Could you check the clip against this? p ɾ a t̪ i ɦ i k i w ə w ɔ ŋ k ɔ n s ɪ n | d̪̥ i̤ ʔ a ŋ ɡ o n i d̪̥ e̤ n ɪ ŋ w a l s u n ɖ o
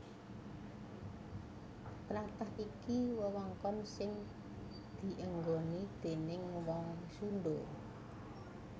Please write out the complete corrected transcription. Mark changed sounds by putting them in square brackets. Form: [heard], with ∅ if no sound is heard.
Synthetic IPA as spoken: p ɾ a t̪ [a] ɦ i k i w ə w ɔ ŋ k ɔ n s ɪ [ŋ] | d̪̥ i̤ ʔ [ə] ŋ ɡ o n i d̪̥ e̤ n ɪ ŋ w a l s u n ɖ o

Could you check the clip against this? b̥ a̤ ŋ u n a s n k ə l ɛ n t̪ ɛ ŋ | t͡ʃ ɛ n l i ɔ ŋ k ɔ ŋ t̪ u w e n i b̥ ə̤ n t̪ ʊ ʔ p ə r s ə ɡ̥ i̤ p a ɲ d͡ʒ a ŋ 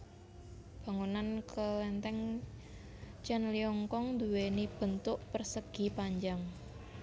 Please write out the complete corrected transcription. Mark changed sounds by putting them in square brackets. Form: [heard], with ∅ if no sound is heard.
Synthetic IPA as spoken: b̥ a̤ ŋ u n a [∅] n k ə l ɛ n t̪ ɛ ŋ | t͡ʃ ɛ n l i ɔ ŋ k ɔ ŋ [d̪] u w e n i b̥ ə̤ n t̪ ʊ ʔ p ə r s ə ɡ̥ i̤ p a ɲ d͡ʒ a ŋ

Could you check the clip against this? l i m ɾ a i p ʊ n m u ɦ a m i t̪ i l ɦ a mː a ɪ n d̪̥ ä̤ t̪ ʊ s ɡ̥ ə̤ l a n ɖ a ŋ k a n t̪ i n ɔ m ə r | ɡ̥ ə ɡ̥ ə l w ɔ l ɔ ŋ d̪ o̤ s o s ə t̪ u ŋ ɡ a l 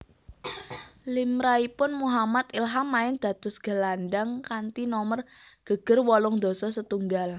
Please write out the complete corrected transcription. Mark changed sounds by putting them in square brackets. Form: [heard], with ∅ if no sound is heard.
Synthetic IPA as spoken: l i m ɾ a i p ʊ n m u ɦ a m [a] t̪ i l ɦ a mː a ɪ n d̪̥ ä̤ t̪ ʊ s ɡ̥ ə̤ l a n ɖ a ŋ k a n t̪ i n ɔ m ə r | ɡ̥ ə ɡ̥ ə [r] w ɔ l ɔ ŋ d̪ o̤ s [ɔ] s ə t̪ u ŋ ɡ a l

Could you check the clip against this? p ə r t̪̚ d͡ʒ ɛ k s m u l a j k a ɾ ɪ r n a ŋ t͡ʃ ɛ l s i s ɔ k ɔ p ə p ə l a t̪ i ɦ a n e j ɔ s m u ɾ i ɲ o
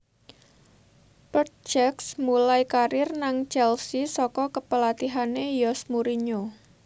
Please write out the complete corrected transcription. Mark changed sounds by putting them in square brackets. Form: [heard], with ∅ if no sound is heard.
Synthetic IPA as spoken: p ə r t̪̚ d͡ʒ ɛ k s m u l a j k a ɾ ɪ r n a ŋ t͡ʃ ɛ l s i s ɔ k ɔ [k] ə p ə l a t̪ i ɦ a n e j ɔ s m u ɾ i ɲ o

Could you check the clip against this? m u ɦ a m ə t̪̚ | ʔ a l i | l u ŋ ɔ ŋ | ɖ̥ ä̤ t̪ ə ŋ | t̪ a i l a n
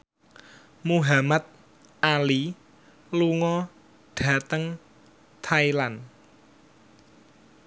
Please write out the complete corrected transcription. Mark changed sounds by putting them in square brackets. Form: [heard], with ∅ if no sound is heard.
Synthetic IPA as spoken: m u ɦ a m [a] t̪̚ | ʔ a l i | l u ŋ ɔ [∅] | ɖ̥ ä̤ t̪ ə ŋ | [t̪ʰ] a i l a n

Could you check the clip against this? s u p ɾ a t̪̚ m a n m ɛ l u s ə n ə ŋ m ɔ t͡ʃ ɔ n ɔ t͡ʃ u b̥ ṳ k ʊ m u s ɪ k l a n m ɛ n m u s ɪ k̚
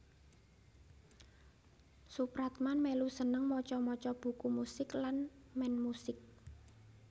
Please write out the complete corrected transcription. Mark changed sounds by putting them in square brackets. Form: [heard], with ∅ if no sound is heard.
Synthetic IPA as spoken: s u p ɾ a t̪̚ m a n m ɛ l u s ə n ə ŋ m ɔ t͡ʃ ɔ [m] ɔ t͡ʃ [ɔ] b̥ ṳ k [u] m u s ɪ k l a n m ɛ n m u s ɪ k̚

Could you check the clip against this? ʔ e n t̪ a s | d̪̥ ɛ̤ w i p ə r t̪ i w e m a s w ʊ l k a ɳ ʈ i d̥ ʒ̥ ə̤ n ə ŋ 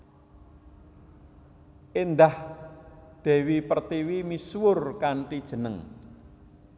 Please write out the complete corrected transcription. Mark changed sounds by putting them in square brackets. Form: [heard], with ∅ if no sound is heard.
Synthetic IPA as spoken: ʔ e n [d̪] a [h] | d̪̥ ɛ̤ w i p ə r t̪ i w [i] m [i] s w ʊ [r] k a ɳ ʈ i d̥ ʒ̥ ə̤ n ə ŋ

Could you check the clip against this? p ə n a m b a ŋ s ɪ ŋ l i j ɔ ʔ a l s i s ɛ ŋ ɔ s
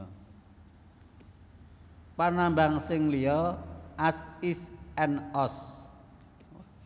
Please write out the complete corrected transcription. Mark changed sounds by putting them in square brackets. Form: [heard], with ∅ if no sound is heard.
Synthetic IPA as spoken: p [a] n a m b a ŋ s ɪ ŋ l i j ɔ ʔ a [∅] s i s ɛ [n] ɔ s

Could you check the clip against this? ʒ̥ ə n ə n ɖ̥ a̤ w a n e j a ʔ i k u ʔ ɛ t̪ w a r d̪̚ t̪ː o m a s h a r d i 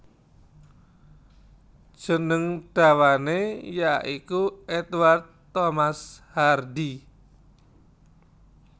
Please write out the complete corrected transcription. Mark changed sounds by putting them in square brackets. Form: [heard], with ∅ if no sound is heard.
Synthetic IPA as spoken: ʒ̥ ə n ə [ŋ] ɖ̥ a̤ w a n e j a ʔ i k u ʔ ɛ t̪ w a r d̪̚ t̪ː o m a s h a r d i

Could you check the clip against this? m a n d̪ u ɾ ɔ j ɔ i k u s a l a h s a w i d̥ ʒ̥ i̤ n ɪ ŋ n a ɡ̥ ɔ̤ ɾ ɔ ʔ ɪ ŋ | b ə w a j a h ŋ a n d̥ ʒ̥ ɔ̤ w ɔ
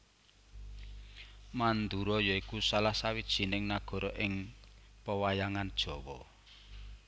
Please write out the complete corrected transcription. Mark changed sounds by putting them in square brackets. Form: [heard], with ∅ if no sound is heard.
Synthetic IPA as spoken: m a n d̪ u ɾ ɔ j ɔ i k u s a l a h s a w i d̥ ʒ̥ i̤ n ɪ ŋ n a ɡ̥ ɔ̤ ɾ ɔ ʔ ɪ ŋ | [p] ə w a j a [∅] ŋ a n d̥ ʒ̥ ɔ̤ w ɔ

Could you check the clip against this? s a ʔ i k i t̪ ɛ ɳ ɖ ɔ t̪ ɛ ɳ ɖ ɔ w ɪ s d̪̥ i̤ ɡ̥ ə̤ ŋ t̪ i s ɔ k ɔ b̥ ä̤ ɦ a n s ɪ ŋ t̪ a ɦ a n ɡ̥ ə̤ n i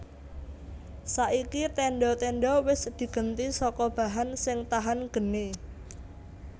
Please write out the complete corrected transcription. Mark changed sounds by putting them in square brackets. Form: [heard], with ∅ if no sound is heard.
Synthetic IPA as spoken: s a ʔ i k i t̪ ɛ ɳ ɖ ɔ t̪ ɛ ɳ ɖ ɔ w ɪ s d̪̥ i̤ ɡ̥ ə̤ [n] t̪ i s ɔ k ɔ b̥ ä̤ ɦ a n s ɪ ŋ t̪ a ɦ a n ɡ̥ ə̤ n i

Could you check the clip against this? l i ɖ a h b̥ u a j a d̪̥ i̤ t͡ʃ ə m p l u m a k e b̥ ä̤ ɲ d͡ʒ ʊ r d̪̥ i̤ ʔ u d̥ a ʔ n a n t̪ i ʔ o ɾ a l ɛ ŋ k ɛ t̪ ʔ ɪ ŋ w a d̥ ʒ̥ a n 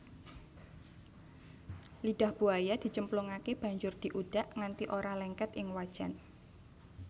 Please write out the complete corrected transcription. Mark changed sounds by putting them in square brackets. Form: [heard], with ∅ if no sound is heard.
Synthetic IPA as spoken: l i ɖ a h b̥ u a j a d̪̥ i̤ t͡ʃ ə m p l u [ŋ] a k e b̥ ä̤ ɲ d͡ʒ ʊ r d̪̥ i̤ ʔ u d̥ a ʔ [ŋ] a n t̪ i ʔ o ɾ a l ɛ ŋ k ɛ t̪ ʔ ɪ ŋ w a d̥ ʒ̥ a n

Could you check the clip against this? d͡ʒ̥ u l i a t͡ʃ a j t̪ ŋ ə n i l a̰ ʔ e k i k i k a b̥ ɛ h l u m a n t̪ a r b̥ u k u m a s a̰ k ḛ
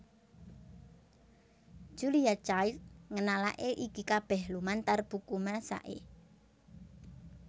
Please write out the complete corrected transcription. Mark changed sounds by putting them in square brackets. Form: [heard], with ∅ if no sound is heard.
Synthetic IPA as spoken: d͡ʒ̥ u l i a t͡ʃ a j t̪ ŋ ə n [a] l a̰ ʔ e [ʔ] i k i k a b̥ ɛ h l u m a n t̪ a r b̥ u k u m a s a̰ [ʔ] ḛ

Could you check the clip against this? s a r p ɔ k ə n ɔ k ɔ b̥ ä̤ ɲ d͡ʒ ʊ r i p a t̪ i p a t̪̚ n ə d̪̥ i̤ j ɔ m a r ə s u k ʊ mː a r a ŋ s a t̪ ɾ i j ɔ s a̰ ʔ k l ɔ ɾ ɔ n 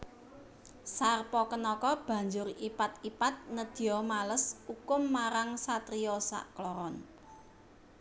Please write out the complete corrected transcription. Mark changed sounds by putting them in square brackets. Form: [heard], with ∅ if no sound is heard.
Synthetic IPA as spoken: s a r p ɔ k ə n ɔ k ɔ b̥ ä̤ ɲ d͡ʒ ʊ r i p a t̪ i p a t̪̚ n ə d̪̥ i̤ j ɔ m a [l] ə s u k ʊ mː a [ɾ] a ŋ s a t̪ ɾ i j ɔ s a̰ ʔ k l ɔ ɾ ɔ n

